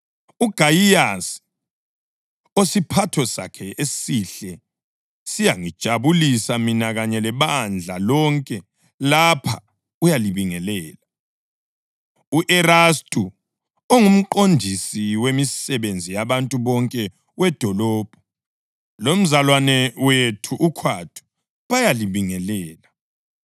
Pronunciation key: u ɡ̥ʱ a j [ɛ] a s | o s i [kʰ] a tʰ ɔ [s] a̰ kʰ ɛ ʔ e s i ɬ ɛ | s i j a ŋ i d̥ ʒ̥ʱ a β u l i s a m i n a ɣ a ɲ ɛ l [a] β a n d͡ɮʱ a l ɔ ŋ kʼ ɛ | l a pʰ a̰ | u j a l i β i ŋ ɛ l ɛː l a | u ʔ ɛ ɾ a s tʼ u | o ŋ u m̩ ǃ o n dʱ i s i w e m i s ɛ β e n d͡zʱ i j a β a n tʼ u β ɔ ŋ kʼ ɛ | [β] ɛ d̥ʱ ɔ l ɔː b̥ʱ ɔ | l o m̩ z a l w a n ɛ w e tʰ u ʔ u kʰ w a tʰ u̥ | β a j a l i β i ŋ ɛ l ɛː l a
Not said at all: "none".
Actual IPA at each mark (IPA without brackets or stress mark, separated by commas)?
i, pʰ, s, ɛ, w